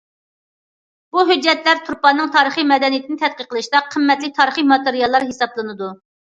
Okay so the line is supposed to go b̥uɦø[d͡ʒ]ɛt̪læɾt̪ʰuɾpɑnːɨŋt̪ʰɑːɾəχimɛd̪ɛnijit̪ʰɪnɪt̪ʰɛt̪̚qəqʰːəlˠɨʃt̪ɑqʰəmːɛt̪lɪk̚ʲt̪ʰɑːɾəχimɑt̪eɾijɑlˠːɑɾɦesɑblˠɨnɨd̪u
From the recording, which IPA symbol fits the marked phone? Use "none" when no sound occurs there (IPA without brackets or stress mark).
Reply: d͡ʒː